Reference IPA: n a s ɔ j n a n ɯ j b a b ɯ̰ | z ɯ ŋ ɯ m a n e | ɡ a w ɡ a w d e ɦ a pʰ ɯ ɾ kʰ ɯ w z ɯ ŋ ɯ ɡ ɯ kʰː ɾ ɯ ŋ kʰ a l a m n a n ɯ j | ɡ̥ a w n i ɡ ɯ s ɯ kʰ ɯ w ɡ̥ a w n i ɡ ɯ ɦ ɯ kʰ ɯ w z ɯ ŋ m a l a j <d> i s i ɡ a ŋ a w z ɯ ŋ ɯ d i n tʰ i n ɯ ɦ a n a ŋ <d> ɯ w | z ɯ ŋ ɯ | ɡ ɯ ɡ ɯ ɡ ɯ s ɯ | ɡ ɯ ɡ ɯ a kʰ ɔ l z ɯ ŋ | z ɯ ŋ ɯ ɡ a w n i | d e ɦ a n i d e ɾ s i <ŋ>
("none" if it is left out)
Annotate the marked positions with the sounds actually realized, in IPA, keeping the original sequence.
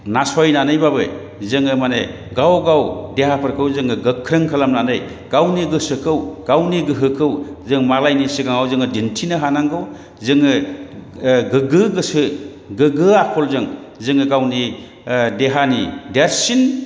n, ɡ, n

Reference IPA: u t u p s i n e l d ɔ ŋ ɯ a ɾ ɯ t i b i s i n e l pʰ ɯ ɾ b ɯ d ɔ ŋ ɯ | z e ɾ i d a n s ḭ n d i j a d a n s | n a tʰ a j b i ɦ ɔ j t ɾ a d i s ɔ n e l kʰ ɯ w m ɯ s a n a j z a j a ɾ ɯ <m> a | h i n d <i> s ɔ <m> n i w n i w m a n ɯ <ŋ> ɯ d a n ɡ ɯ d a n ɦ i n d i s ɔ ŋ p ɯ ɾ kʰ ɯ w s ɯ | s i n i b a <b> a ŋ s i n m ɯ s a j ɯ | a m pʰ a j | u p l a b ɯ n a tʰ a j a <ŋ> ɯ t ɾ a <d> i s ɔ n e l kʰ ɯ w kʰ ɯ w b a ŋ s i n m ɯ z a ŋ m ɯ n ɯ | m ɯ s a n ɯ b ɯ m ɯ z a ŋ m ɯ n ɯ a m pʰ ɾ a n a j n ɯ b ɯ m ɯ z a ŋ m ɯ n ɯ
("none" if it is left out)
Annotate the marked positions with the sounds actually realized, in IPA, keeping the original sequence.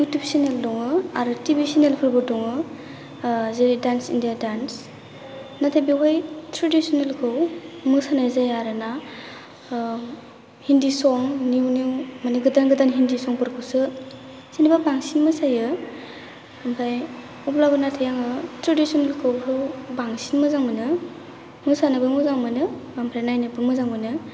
n, i, ŋ, ɡ, b, ŋ, d

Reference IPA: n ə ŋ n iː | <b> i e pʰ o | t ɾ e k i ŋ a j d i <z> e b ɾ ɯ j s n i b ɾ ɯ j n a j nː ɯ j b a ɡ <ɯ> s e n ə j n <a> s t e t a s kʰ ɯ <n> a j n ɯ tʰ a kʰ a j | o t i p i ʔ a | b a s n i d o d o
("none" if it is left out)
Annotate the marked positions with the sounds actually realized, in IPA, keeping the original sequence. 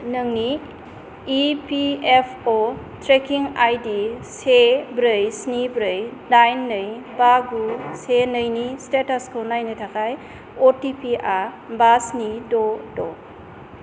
p, s, u, i, n

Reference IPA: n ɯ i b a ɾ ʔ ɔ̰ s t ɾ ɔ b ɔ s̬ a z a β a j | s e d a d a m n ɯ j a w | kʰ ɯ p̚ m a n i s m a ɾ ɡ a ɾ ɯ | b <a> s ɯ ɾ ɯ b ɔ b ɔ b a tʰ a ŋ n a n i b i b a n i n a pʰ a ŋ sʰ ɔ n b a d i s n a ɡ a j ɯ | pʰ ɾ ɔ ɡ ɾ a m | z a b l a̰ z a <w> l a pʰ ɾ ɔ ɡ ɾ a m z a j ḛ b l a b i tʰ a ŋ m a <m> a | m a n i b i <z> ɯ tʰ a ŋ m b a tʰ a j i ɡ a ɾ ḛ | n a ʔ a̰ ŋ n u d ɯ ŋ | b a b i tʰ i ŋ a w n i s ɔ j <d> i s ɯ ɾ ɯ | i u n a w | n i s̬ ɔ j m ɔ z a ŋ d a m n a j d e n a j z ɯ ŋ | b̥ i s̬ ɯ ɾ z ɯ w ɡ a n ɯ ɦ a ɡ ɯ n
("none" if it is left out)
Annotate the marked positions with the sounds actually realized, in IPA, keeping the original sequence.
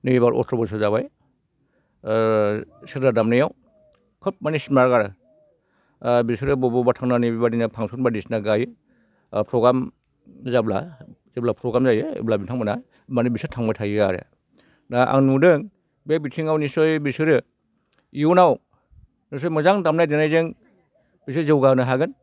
i, b, n, s, b

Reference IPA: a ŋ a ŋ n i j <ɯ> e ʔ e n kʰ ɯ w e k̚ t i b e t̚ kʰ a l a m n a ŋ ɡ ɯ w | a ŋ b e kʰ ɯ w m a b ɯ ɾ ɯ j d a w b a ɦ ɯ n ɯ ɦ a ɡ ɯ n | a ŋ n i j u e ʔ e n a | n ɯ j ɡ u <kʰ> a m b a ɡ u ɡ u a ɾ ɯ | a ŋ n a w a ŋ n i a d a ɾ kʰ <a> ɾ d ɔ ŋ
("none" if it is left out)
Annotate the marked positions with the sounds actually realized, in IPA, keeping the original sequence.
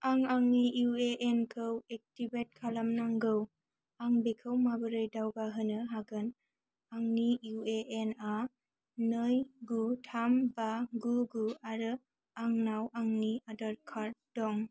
u, tʰ, a

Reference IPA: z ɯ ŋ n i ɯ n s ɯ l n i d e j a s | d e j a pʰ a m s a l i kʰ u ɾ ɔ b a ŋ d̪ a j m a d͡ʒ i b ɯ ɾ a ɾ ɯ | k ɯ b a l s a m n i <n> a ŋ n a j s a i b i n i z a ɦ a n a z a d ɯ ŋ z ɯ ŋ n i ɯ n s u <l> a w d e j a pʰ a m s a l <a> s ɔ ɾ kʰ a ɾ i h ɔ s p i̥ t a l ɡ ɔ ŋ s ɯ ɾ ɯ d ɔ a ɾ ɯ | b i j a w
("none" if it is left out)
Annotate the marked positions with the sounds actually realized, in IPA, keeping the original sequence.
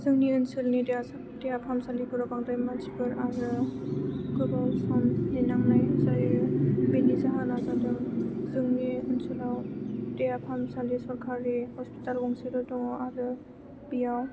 n, l, i

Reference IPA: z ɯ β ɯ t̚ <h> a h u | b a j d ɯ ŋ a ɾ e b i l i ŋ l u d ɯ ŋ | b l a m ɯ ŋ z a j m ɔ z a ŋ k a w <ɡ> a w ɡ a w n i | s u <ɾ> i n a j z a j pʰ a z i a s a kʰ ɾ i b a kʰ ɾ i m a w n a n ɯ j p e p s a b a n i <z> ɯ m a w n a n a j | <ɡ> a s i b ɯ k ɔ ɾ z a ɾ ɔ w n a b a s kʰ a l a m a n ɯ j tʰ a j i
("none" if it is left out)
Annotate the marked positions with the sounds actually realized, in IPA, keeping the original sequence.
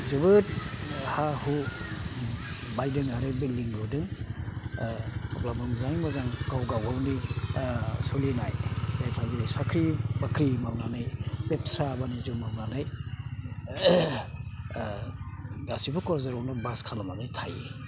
h, ɡ, l, z, ɡ

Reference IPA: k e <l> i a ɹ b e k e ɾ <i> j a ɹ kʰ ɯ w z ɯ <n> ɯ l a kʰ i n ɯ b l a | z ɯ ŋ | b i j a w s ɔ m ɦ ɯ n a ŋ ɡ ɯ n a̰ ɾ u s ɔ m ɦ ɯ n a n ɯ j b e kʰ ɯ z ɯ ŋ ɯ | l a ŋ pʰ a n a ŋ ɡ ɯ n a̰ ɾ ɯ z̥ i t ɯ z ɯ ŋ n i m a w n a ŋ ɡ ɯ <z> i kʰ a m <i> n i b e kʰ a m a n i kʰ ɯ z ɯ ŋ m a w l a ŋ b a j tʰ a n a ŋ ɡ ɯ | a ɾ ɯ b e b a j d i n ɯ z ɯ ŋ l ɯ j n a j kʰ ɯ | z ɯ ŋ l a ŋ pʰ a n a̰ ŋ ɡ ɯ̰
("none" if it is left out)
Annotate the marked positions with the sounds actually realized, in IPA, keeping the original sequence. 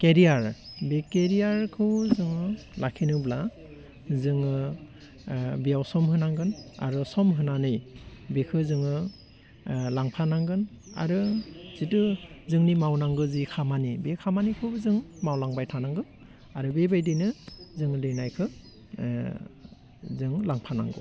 ɾ, i, ŋ, z, a

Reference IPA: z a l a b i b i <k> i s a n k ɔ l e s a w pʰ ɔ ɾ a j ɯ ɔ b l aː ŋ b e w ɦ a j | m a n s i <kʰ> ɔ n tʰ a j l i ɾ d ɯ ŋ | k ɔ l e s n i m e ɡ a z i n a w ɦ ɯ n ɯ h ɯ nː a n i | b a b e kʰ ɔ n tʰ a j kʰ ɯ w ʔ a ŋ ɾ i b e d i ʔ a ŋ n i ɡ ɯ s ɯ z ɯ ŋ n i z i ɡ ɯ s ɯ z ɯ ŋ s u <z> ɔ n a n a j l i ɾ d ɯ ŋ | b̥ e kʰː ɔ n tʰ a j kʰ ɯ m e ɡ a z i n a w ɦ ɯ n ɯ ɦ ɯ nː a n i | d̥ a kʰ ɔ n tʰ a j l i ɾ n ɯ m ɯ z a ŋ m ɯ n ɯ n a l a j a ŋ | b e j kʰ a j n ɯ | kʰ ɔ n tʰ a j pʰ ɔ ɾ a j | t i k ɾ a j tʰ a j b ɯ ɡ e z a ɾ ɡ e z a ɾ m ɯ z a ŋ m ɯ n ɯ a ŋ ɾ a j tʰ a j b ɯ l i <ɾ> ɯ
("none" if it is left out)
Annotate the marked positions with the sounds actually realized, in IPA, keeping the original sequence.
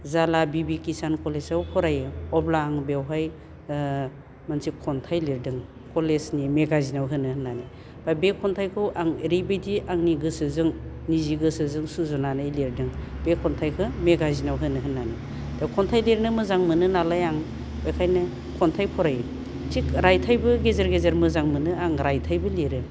k, kʰ, z, ɾ

